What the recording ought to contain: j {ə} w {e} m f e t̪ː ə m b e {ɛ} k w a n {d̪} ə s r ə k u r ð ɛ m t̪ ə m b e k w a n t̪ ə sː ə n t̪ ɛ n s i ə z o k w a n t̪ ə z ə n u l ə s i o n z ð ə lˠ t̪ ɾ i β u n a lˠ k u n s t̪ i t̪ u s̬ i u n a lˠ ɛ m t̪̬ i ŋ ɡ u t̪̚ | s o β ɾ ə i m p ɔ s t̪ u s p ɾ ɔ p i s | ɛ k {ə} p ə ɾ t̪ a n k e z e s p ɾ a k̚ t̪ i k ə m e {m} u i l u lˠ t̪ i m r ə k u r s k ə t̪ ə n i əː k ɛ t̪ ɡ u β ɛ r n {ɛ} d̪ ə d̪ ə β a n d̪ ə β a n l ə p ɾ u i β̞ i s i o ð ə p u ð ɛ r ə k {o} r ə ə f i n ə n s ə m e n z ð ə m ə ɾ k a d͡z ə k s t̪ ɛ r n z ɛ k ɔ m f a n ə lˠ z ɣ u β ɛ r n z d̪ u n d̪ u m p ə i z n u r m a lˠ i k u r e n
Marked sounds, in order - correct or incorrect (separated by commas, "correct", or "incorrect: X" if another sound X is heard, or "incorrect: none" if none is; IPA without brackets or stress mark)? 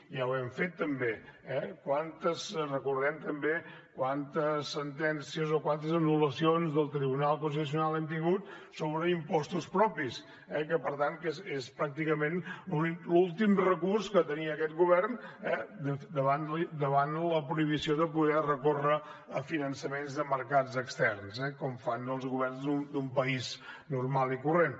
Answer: incorrect: a, incorrect: ɛ, correct, incorrect: t̪, correct, incorrect: n, correct, correct